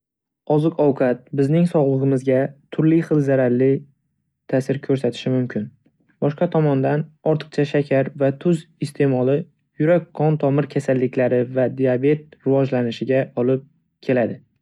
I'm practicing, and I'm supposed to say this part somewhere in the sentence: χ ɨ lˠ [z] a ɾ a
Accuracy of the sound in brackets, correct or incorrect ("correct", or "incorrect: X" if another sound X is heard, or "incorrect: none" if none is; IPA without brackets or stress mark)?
correct